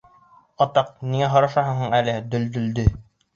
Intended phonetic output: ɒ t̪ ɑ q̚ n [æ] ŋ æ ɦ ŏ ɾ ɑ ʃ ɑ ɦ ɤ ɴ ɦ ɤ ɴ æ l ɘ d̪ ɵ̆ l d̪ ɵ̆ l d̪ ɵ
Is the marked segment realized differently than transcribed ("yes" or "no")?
yes